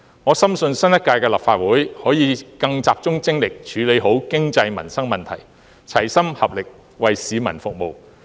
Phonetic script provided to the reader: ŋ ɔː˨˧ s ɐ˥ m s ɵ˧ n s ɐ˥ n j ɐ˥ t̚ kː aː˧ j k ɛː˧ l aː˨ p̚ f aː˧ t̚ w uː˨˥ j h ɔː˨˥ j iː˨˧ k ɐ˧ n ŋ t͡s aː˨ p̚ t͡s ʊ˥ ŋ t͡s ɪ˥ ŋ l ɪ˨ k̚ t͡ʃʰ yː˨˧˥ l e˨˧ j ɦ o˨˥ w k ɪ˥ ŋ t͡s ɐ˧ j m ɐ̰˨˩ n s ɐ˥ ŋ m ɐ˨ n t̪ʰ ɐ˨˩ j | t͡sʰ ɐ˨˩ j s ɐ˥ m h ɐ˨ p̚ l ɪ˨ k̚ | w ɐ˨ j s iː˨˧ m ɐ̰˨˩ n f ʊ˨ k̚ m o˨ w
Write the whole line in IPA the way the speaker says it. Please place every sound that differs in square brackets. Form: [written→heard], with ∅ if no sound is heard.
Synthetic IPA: ŋ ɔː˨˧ s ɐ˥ m s ɵ˧ n s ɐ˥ n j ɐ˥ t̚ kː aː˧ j k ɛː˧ l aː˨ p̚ f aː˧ t̚ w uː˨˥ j h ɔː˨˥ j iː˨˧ k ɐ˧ [n→∅] ŋ t͡s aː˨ p̚ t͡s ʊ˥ ŋ t͡s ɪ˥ ŋ l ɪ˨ k̚ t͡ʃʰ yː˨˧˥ l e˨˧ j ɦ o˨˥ w k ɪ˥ ŋ t͡s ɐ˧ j m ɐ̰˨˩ n s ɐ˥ ŋ m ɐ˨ n t̪ʰ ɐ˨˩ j | t͡sʰ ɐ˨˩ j s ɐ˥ m h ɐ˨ p̚ l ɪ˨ k̚ | w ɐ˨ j s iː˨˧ m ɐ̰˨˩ n f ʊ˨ k̚ m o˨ w

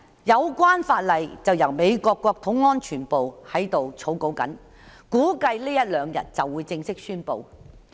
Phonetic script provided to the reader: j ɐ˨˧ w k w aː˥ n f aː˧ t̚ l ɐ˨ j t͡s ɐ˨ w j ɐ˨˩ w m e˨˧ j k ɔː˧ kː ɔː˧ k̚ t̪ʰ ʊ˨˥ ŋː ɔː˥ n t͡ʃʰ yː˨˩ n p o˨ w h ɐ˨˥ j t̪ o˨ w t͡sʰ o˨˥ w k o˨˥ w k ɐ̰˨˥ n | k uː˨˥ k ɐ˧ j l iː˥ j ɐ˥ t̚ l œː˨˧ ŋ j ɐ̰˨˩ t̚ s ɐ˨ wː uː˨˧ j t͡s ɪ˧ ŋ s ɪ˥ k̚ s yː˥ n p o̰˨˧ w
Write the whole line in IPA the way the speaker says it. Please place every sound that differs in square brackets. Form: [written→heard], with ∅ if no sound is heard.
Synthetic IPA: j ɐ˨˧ w k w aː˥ n f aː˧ t̚ l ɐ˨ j t͡s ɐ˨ w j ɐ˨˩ w m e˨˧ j k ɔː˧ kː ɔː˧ k̚ t̪ʰ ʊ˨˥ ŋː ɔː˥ n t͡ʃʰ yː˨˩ n p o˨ w h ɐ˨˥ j t̪ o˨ w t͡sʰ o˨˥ w k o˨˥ w k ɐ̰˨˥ n | k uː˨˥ k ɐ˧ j l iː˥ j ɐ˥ t̚ l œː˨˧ ŋ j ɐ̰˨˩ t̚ [s→t͡s] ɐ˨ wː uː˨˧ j t͡s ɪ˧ ŋ s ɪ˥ k̚ s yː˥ n p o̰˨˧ w

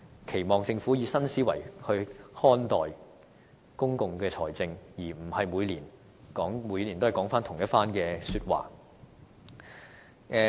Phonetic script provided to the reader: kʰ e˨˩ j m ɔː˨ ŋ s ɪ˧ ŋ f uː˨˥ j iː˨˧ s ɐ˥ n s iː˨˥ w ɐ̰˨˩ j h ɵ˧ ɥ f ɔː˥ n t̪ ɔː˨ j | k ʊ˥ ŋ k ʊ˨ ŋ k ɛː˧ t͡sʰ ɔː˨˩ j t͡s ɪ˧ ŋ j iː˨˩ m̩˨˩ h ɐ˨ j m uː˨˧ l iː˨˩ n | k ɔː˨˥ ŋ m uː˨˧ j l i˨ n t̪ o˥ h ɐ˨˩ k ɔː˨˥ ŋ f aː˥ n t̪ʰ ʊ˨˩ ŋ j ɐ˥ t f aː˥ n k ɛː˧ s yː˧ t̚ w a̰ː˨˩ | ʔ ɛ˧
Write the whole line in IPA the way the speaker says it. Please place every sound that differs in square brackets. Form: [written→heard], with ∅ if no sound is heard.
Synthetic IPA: kʰ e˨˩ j m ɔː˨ ŋ [s→t͡s] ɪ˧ ŋ f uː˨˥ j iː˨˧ s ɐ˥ n s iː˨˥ w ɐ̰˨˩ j h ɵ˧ ɥ [f→h] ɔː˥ n t̪ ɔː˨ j | k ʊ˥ ŋ k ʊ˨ ŋ k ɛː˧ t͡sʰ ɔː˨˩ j t͡s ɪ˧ ŋ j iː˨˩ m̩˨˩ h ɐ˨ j m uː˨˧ l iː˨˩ n | k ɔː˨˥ ŋ m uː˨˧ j l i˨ n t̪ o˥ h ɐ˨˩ k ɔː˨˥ ŋ f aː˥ n t̪ʰ ʊ˨˩ ŋ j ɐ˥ t f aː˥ n k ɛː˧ s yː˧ t̚ w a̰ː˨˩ | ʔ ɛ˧

